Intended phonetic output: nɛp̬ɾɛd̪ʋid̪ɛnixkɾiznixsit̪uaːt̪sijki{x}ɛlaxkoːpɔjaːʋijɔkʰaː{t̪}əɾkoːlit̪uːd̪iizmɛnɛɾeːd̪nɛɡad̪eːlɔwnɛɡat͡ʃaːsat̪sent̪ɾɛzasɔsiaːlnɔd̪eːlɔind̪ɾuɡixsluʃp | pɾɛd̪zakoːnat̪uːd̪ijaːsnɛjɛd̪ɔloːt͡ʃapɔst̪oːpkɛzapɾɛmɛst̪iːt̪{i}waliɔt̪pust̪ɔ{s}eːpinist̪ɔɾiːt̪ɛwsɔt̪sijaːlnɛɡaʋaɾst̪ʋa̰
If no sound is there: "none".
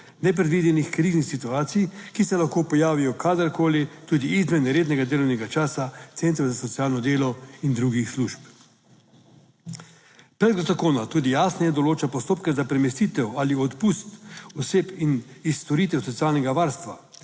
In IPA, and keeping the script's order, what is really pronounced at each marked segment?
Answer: s, d̪, ɛ, s

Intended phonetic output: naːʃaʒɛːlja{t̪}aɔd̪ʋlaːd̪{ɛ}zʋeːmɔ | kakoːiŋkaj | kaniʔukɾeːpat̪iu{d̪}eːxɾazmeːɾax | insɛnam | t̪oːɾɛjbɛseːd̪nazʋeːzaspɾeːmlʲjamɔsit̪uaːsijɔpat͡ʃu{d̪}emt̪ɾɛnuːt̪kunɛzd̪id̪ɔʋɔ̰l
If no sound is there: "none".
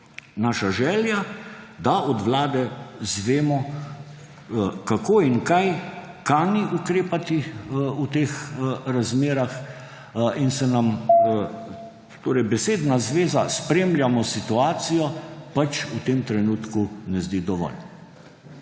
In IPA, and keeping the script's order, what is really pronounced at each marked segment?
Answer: d̪, ɛ, t̪, t̪

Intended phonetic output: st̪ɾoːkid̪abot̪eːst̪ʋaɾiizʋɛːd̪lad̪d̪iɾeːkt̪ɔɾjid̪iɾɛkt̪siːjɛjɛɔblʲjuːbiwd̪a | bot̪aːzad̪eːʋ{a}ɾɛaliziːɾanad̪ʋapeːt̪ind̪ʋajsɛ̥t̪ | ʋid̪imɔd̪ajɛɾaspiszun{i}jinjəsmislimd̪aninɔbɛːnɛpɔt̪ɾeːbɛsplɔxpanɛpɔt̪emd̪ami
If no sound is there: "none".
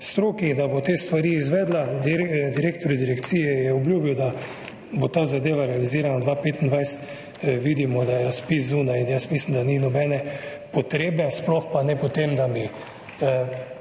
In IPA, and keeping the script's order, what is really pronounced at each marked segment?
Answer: a, a

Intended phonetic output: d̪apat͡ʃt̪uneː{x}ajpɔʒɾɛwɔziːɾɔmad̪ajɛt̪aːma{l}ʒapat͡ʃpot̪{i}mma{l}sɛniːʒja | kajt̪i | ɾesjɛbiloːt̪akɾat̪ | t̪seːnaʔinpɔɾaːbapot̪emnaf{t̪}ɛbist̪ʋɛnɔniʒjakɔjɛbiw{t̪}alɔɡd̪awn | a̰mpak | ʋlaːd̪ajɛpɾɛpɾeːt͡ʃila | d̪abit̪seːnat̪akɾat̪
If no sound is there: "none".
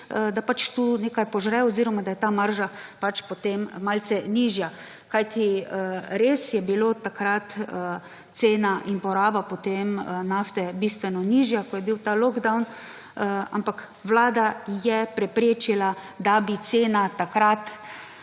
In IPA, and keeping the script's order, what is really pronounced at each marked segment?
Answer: k, ɾ, e, l, t̪, t̪

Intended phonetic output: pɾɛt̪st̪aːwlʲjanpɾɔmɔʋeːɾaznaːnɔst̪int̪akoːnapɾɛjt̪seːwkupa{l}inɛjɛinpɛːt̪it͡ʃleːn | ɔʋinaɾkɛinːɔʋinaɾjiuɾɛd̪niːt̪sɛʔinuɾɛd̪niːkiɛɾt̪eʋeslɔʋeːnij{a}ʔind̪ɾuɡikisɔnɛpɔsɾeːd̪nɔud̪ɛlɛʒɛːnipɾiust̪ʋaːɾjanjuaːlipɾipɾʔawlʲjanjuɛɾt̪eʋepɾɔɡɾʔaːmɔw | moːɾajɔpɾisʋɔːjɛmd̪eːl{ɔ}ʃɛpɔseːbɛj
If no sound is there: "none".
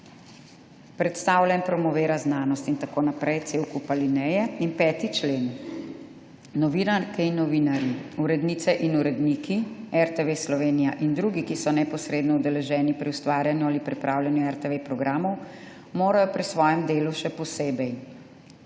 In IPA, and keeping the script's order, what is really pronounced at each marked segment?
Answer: l, a, u

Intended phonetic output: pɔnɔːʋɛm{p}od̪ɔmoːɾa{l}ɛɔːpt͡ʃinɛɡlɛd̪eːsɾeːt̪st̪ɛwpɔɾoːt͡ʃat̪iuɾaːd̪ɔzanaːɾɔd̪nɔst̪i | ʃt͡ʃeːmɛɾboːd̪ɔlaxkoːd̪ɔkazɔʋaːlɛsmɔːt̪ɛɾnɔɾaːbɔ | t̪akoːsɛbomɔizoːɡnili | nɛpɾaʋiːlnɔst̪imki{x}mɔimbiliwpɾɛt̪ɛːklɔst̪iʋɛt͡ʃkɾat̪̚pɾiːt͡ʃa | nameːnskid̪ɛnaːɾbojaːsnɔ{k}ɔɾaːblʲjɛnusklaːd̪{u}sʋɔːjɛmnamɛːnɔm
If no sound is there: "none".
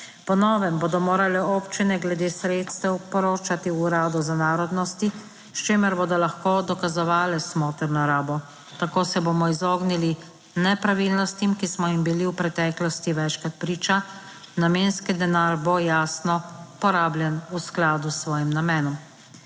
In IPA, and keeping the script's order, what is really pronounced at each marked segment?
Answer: b, l, s, p, u

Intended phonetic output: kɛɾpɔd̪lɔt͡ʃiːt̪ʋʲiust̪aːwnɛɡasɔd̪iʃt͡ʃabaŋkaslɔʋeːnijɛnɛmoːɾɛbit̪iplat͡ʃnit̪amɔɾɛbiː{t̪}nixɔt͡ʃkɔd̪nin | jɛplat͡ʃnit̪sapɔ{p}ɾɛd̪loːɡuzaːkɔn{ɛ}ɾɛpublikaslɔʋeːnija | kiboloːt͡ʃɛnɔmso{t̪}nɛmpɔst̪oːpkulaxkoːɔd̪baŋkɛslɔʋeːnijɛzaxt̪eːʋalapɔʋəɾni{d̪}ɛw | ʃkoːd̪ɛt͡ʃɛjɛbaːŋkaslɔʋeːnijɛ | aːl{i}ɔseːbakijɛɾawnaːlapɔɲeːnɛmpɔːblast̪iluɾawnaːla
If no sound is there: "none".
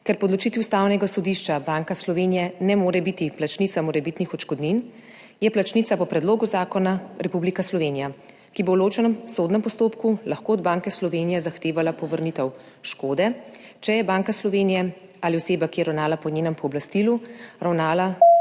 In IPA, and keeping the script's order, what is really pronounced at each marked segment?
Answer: t̪, p, a, d̪, t̪, i

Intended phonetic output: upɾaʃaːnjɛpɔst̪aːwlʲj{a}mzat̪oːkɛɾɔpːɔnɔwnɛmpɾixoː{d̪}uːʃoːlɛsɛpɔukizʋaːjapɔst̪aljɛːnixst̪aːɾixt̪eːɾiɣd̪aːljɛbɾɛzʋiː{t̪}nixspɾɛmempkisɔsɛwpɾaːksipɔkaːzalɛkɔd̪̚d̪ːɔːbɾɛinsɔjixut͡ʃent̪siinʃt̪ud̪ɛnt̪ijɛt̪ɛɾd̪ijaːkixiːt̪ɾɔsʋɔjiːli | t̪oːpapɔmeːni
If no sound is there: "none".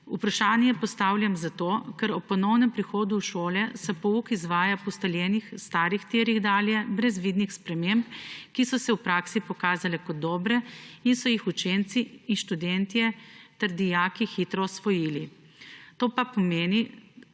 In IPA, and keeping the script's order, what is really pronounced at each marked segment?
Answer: a, d̪, d̪

